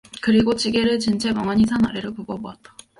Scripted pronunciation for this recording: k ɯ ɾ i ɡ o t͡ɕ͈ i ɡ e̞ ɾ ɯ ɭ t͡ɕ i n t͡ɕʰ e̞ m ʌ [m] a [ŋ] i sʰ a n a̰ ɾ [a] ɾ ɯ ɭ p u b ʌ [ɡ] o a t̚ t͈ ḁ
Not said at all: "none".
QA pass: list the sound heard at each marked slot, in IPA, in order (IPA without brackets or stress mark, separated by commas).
ŋ, ɲ, e, b